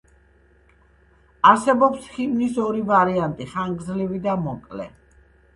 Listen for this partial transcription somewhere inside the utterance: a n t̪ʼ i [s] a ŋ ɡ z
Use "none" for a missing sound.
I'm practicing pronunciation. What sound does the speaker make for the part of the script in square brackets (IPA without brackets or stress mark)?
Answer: χ